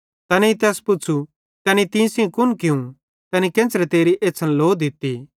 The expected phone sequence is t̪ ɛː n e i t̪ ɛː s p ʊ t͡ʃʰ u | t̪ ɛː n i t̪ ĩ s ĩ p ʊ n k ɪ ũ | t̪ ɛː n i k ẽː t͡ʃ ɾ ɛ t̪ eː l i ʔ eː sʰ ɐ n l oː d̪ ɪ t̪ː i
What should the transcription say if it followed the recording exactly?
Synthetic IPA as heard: t̪ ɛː n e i t̪ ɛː s p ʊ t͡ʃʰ u | t̪ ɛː n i t̪ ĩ s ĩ k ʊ n k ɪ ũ | t̪ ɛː n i k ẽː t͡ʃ ɾ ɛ t̪ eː ɾ i ʔ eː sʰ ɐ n l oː d̪ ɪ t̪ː i